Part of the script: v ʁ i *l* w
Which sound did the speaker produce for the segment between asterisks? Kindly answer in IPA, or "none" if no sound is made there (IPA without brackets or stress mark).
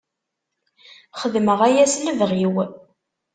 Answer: none